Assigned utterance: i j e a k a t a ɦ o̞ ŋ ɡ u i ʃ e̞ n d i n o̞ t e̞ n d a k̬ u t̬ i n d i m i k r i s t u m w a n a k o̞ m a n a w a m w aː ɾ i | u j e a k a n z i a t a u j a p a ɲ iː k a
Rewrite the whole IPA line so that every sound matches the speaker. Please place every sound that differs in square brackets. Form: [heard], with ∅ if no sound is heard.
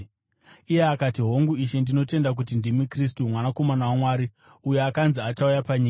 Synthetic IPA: i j e a k a t [i] ɦ o̞ ŋ ɡ u i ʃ e̞ n d i n o̞ t e̞ n d a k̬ u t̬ i n d i m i k r i s t u m w a n a k o̞ m a n a w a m w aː ɾ i | u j e a k a n z i a t a u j a p a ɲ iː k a